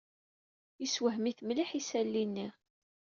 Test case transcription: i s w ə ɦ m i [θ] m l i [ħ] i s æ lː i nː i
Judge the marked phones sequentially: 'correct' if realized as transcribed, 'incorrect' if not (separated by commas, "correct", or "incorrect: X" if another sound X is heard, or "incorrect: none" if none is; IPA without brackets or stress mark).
correct, correct